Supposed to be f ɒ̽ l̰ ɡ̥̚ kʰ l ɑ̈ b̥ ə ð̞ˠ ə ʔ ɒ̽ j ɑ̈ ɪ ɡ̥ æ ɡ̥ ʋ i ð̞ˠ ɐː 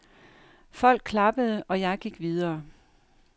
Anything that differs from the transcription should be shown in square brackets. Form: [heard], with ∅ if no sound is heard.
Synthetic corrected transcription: f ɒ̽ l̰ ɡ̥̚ kʰ l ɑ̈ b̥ ə ð̞ˠ ə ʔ ɒ̽ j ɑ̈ ɪ ɡ̥ [i] ɡ̥ ʋ i ð̞ˠ ɐː